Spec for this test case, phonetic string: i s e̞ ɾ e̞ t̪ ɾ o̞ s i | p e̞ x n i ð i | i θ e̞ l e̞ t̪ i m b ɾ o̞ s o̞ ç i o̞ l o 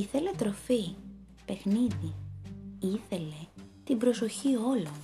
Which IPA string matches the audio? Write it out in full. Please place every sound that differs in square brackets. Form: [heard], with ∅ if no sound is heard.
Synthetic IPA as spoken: i [θ] e̞ [l] e̞ t̪ ɾ o̞ [f] i | p e̞ x n i ð i | i θ e̞ l e̞ t̪ i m b ɾ o̞ s o̞ ç i o̞ l o